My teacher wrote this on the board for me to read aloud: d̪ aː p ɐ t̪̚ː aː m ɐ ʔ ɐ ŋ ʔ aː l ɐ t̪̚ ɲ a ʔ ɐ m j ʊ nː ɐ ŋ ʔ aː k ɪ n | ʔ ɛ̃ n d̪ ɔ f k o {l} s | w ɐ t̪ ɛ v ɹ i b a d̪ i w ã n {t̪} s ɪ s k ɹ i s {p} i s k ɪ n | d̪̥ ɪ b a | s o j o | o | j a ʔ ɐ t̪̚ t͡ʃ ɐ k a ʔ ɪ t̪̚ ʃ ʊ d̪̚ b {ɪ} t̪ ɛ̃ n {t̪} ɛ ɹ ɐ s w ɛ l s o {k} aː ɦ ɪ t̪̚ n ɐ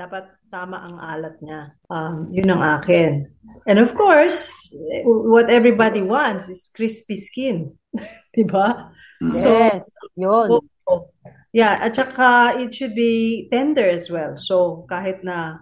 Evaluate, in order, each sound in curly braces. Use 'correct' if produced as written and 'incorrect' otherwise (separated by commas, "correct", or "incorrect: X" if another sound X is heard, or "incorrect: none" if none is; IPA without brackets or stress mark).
incorrect: ɹ, correct, correct, incorrect: i, incorrect: d̪, correct